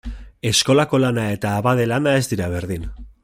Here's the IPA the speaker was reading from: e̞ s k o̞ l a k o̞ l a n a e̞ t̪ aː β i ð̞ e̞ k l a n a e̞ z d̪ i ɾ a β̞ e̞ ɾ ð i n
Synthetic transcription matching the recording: e̞ s k o̞ l a k o̞ l a n a e̞ t̪ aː β a ð̞ e̞ l a n a e̞ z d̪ i ɾ a β̞ e̞ ɾ ð i n